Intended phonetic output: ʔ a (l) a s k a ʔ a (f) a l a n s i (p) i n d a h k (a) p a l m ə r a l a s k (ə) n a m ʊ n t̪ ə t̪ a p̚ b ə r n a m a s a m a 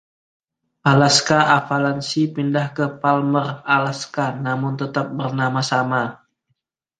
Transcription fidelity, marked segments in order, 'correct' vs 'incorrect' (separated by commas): correct, correct, correct, incorrect, incorrect